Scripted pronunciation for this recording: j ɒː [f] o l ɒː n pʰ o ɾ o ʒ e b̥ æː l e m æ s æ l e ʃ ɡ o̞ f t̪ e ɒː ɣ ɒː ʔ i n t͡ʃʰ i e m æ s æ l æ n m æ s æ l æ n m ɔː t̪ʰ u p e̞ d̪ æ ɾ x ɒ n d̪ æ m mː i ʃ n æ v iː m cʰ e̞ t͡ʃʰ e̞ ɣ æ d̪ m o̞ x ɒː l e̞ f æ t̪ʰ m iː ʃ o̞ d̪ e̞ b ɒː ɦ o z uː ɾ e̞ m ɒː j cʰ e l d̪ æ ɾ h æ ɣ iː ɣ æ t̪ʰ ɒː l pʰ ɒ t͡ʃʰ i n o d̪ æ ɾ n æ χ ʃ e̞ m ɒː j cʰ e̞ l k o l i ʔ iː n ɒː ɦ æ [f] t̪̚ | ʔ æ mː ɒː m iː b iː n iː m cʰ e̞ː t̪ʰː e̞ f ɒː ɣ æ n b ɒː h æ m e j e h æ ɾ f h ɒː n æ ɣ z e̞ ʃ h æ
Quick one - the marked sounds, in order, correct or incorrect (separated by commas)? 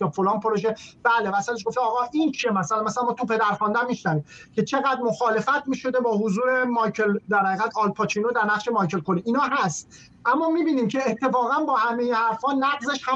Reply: correct, incorrect